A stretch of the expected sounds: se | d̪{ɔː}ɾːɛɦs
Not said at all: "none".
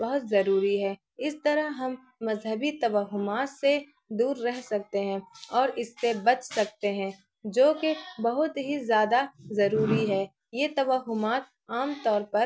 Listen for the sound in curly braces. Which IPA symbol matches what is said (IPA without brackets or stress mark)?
uː